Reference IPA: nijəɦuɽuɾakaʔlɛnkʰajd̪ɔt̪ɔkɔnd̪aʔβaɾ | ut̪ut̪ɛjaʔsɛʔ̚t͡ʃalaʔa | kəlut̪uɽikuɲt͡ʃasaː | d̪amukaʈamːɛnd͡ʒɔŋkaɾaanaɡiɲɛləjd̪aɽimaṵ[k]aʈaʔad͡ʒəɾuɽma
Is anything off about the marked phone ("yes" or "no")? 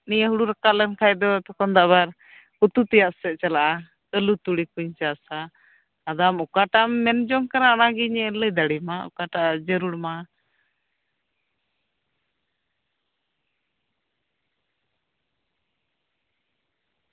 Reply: no